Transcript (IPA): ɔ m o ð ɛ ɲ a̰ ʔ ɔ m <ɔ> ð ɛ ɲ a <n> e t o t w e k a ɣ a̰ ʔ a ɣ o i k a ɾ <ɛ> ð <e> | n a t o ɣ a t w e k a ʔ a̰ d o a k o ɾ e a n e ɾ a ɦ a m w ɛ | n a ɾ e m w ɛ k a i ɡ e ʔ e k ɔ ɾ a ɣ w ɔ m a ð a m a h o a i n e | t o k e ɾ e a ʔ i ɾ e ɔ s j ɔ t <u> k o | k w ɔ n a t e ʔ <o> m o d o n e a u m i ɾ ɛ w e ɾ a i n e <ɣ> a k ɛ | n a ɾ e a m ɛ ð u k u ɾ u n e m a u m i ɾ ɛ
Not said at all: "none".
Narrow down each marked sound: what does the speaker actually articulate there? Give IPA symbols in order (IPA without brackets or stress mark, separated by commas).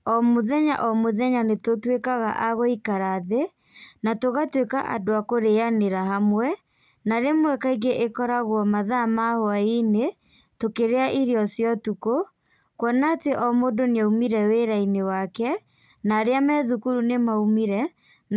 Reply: o, n, a, e, u, ɔ, w